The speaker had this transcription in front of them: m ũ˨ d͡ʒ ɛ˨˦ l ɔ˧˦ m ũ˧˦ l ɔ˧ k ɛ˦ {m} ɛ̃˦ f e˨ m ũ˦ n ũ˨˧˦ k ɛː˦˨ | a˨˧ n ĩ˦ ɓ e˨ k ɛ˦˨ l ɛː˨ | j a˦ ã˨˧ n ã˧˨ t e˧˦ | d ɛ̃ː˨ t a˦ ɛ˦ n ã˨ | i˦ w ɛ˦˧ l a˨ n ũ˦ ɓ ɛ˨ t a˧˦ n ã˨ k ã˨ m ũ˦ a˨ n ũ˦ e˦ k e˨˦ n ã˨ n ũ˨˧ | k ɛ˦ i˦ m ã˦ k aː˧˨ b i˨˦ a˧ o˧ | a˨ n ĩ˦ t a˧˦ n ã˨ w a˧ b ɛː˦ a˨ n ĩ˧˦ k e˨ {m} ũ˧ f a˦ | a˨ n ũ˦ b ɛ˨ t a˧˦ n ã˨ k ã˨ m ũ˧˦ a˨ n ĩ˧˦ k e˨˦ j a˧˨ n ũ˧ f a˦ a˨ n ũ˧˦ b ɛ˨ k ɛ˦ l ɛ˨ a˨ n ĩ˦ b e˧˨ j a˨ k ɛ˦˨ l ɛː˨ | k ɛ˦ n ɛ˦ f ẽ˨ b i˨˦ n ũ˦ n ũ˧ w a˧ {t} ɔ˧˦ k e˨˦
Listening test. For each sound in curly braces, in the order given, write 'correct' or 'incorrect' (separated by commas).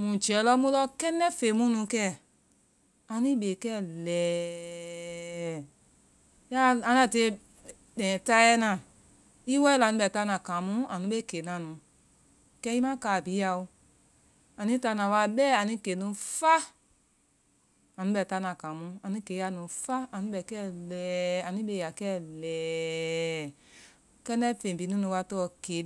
incorrect, incorrect, correct